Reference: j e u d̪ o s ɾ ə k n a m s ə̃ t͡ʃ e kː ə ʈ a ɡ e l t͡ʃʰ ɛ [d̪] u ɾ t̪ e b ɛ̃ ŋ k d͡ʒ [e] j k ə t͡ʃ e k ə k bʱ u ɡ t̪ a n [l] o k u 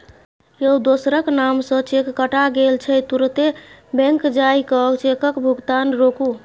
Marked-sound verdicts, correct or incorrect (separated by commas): incorrect, incorrect, incorrect